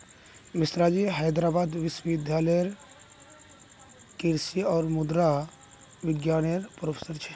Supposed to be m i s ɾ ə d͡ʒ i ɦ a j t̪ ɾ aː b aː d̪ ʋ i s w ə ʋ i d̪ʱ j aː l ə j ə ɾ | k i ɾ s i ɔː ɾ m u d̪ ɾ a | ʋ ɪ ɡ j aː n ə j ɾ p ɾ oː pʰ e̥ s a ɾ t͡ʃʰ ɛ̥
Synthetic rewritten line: m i s ɾ a d͡ʒ i ɦ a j d̪ ɾ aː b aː d̪ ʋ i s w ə ʋ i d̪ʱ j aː l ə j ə ɾ | k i ɾ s i ɔː ɾ m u d̪ ɾ a | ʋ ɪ ɡ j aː n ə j ɾ p ɾ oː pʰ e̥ s ə ɾ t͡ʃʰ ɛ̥